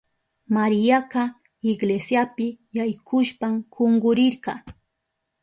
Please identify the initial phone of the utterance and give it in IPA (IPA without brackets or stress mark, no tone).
m